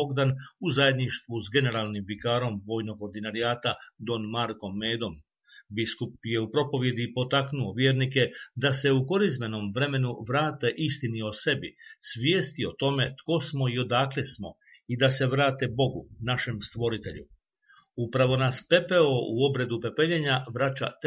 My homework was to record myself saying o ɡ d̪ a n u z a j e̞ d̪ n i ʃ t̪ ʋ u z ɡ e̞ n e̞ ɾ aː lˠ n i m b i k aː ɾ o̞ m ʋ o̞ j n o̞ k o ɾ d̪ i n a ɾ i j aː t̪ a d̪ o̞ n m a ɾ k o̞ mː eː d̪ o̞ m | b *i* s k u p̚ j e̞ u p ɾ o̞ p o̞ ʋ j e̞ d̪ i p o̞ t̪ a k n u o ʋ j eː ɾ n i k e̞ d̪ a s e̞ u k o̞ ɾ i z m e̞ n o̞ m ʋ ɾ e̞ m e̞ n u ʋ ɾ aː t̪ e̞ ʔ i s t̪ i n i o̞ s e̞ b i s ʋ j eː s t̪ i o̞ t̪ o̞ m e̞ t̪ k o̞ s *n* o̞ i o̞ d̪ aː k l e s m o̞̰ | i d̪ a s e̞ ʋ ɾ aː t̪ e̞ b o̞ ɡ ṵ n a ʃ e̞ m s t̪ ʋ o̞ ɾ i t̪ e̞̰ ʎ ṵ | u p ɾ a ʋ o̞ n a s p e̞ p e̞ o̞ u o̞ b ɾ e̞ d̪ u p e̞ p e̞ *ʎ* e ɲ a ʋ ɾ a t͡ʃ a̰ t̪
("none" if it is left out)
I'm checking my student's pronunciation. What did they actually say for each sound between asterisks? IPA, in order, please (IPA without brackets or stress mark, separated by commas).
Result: i, m, ʎ